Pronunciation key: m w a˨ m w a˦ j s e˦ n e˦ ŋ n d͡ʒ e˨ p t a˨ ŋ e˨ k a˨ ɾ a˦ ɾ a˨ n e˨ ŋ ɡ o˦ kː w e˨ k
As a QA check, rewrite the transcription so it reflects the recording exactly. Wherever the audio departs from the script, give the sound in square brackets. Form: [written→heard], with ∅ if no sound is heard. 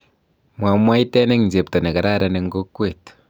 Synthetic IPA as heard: m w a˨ m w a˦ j [s→t] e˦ n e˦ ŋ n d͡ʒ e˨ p t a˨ [ŋ→n] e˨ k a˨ ɾ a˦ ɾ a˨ n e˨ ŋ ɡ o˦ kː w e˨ [k→t]